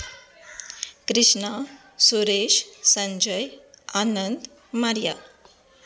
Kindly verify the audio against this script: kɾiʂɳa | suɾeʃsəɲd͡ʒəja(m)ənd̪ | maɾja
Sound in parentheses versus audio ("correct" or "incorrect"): incorrect